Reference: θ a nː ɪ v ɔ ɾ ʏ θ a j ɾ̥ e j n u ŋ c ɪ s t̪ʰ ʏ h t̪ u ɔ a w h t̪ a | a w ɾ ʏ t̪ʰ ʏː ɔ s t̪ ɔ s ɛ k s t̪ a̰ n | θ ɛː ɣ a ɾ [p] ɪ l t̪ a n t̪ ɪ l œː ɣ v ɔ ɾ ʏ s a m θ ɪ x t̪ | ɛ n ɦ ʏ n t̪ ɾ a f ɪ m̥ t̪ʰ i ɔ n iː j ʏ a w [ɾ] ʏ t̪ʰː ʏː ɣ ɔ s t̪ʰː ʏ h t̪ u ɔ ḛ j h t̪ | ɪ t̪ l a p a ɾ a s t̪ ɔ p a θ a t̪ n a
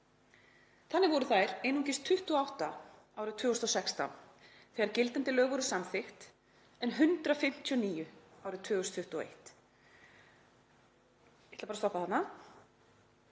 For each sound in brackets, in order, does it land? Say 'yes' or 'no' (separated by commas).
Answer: no, yes